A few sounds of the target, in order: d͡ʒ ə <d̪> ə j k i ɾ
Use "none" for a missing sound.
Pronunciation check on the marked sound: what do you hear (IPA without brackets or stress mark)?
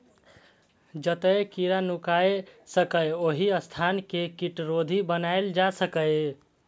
t̪